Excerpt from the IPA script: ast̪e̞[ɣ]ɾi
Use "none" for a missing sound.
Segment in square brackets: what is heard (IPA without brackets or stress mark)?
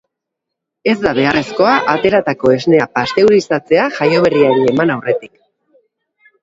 w